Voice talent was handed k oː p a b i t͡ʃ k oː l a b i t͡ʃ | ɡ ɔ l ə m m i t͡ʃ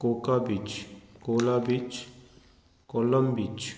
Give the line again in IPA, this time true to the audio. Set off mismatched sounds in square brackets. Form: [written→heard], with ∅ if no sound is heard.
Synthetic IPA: k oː [p→k] a b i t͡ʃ k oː l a b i t͡ʃ | [ɡ→k] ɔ l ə m [m→b] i t͡ʃ